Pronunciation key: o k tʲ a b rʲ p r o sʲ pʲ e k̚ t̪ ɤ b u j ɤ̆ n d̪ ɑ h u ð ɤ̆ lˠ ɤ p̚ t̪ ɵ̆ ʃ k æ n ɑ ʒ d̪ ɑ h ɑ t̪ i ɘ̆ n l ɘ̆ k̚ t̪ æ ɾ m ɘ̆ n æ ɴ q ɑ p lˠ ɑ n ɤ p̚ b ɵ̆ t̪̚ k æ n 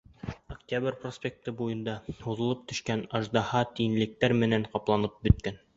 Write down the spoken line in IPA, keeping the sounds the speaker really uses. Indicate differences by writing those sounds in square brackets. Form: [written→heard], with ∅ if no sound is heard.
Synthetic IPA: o k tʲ a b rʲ p r o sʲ pʲ e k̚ t̪ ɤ b u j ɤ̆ n d̪ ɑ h u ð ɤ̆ lˠ ɤ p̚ t̪ ɵ̆ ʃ k æ n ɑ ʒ d̪ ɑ h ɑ t̪ i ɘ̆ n l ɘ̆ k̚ t̪ æ ɾ m ɘ̆ n æ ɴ q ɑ p lˠ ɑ n ɤ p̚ b ɵ̆ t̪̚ k æ n